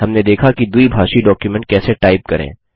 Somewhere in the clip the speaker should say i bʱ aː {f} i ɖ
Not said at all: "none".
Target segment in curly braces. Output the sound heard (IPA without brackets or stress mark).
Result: ʃ